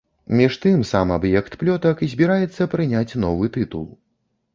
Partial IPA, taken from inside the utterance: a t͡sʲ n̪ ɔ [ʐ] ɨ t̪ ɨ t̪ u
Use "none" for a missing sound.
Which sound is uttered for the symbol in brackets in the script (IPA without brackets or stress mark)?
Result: v